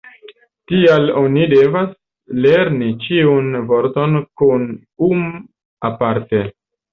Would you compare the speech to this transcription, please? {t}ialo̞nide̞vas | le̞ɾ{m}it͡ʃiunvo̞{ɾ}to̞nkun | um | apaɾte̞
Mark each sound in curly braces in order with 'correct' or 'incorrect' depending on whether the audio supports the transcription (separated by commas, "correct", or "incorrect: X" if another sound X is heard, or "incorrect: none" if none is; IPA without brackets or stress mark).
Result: correct, incorrect: n, correct